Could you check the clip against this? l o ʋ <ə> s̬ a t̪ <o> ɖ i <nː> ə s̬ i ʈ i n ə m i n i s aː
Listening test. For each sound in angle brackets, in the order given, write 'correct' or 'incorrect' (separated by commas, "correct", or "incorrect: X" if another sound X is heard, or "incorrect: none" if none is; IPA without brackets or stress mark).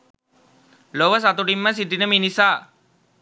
correct, incorrect: u, incorrect: mː